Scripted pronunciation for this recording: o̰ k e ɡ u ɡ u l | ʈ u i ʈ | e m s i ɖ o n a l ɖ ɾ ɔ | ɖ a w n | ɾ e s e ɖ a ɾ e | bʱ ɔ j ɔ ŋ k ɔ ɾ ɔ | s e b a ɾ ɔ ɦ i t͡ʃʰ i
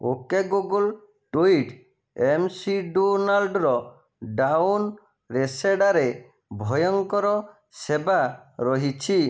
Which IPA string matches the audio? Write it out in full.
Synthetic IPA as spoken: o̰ k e ɡ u ɡ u l | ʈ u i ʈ | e m s i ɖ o n a l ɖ ɾ ɔ | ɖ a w n | ɾ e s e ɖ a ɾ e | bʱ ɔ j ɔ ŋ k ɔ ɾ ɔ | s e b a ɾ ɔ ɦ i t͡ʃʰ i

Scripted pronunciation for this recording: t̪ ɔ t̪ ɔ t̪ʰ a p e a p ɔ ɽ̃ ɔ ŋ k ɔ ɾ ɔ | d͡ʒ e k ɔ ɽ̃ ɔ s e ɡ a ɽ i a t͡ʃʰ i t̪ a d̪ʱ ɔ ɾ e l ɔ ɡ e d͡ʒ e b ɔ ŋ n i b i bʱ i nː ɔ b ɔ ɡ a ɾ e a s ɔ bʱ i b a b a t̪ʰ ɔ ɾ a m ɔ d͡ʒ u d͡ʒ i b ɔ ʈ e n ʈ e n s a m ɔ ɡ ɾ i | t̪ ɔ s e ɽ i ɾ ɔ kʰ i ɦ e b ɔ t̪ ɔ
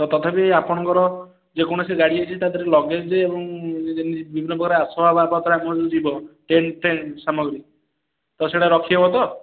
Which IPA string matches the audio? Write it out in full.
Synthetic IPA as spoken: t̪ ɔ t̪ ɔ t̪ʰ a p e a p ɔ ɽ̃ ɔ ŋ k ɔ ɾ ɔ | d͡ʒ e k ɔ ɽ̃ ɔ s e ɡ a ɽ i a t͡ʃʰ i t̪ a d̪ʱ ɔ ɾ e l ɔ ɡ e d͡ʒ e b ɔ ŋ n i b i bʱ i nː ɔ b ɔ ɡ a ɾ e a s ɔ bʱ a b a b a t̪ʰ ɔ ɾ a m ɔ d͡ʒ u d͡ʒ i b ɔ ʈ e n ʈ e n s a m ɔ ɡ ɾ i | t̪ ɔ s e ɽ a ɾ ɔ kʰ i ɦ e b ɔ t̪ ɔ

